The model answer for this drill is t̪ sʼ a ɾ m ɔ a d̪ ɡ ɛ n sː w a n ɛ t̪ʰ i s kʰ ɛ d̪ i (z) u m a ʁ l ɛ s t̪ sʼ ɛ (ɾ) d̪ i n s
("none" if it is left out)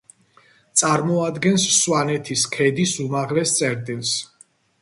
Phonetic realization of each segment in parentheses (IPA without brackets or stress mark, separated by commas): s, ɾ